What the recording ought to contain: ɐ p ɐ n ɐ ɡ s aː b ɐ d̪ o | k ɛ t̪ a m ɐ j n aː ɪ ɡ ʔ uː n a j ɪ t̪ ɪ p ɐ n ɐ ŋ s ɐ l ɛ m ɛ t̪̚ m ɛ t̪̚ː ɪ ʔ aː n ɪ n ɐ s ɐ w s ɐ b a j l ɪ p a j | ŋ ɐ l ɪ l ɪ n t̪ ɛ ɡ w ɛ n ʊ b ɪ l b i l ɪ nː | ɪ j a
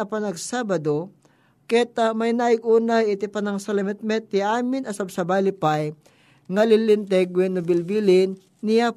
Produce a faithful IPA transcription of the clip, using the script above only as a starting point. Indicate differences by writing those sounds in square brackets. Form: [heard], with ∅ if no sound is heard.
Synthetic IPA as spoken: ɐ p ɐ n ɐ ɡ s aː b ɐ d̪ o | k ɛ t̪ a m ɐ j n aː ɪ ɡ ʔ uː n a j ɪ t̪ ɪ p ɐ n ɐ ŋ s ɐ l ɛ m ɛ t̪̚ m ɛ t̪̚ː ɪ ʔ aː [m] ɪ n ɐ s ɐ [b] s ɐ b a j l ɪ p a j | ŋ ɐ l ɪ l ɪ n t̪ ɛ ɡ w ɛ n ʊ b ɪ l b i l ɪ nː | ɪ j a